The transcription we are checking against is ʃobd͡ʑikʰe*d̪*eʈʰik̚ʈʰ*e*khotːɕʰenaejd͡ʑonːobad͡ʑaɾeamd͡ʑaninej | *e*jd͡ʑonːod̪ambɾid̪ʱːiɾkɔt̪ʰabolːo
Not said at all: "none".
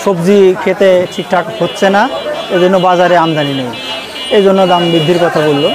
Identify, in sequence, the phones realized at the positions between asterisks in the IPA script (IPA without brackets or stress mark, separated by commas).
t̪, a, e